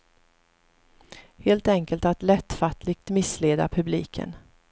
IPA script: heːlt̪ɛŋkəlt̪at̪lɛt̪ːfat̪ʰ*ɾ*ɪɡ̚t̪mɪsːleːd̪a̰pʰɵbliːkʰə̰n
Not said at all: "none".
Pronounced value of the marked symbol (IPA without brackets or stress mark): l